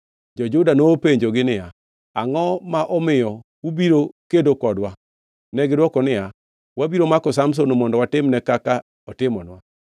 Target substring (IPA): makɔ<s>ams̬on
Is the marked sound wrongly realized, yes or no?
no